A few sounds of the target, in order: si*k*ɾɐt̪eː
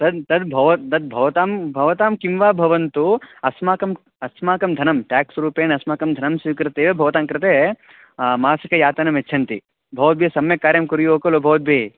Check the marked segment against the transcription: correct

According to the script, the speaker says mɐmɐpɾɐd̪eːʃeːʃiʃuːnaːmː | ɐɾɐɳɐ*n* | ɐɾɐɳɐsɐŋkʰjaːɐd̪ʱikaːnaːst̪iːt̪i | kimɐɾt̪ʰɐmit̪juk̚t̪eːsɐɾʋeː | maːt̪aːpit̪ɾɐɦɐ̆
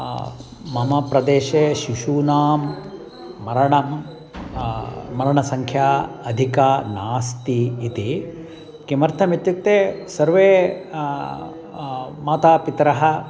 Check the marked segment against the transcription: incorrect: m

